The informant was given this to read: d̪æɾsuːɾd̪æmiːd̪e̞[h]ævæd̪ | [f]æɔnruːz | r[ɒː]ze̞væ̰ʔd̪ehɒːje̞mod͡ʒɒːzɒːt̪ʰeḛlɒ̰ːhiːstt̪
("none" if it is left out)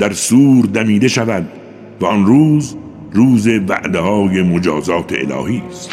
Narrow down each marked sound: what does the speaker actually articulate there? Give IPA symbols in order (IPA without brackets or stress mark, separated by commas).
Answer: ʃ, v, uː